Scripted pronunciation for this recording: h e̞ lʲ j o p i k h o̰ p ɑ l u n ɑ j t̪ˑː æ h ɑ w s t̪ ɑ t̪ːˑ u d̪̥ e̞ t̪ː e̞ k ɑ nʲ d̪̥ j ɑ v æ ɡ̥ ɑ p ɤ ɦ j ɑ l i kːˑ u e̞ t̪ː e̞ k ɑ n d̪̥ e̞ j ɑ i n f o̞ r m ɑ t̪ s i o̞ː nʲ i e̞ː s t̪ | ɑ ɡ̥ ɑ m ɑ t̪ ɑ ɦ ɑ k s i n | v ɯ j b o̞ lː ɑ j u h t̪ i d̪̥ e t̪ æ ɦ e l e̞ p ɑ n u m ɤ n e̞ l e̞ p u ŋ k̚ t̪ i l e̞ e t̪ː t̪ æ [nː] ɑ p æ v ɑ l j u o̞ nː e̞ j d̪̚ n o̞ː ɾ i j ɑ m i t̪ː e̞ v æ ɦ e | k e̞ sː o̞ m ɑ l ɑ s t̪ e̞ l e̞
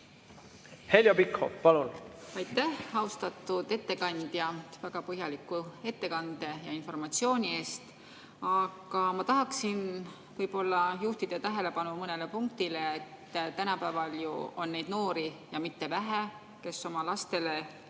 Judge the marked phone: incorrect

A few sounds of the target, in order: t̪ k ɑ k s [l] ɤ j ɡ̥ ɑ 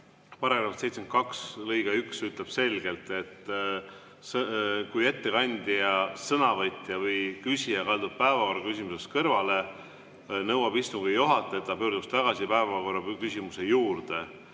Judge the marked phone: correct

